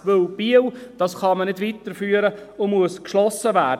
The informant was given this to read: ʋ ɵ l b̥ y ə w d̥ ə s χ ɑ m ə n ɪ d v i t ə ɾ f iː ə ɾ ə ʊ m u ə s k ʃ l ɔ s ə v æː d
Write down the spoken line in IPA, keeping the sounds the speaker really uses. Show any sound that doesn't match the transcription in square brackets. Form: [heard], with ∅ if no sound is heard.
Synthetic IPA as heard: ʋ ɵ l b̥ [i] ə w d̥ [ɑ] s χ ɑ m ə n ɪ d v i t ə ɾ f [yː] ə ɾ ə ʊ m u ə s k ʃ l ɔ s ə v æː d